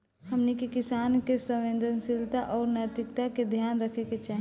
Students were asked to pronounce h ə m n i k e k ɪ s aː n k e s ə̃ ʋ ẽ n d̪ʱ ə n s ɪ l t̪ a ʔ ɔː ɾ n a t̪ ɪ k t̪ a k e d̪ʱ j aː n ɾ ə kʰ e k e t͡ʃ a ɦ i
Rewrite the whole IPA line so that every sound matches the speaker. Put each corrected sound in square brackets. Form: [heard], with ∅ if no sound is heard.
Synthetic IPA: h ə m n i k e k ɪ s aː n k e s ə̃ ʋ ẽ n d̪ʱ ə n s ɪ l t̪ a ʔ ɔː ɾ n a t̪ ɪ k t̪ a k e d̪ʱ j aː n ɾ ə kʰ e k e t͡ʃ a ɦ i

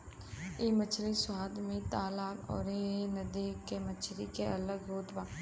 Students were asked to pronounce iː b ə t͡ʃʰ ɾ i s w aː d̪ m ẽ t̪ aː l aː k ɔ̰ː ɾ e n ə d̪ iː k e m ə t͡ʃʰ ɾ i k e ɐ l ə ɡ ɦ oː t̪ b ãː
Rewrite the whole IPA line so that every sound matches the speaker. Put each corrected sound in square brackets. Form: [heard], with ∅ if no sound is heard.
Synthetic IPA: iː [m] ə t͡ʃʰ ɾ i s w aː d̪ m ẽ t̪ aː l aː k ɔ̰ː ɾ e n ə d̪ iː k e m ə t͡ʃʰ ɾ i k e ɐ l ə ɡ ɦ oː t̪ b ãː

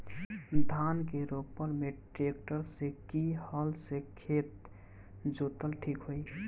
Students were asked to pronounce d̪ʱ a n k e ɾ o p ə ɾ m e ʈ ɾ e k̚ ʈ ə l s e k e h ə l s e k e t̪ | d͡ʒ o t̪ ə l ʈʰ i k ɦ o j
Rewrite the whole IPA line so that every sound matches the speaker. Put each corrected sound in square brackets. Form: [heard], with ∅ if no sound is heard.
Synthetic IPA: d̪ʱ a n k e ɾ o p ə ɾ m e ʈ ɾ e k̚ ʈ ə [ɾ] s e k [i] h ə l s e [kʰ] e t̪ | d͡ʒ o t̪ ə l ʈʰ i k ɦ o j

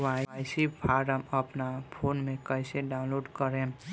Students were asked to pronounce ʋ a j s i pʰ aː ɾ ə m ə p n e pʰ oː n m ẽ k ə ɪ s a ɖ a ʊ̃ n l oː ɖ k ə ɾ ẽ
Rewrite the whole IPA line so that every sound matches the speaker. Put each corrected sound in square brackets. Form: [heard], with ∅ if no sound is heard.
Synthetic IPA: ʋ a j s i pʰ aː ɾ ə m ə p n [a] pʰ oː n m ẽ k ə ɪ s [e] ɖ a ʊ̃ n l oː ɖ k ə ɾ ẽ

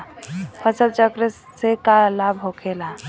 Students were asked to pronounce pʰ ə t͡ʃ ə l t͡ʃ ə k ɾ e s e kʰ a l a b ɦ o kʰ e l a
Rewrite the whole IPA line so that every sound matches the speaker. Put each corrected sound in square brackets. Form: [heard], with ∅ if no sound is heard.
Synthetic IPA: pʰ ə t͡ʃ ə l t͡ʃ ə k ɾ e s e [k] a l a b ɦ o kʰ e l a

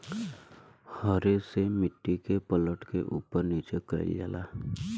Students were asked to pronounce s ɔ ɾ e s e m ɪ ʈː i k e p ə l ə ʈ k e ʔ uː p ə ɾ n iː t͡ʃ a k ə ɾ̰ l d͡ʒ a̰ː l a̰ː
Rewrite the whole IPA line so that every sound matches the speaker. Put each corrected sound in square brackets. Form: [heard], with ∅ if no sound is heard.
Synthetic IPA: [h] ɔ ɾ e s e m ɪ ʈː i k e p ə l ə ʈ k e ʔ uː p ə ɾ n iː t͡ʃ [e] k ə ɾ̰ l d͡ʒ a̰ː l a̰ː

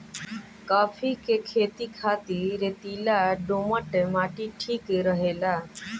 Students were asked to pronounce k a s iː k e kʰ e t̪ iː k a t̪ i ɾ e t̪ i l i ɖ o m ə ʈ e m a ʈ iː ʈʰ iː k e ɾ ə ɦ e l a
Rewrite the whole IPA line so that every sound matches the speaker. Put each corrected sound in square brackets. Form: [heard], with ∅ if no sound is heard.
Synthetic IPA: k a [f] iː k e kʰ e t̪ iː [kʰ] a t̪ i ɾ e t̪ i l [a] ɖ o m ə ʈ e m a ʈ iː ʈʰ iː k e ɾ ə ɦ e l a

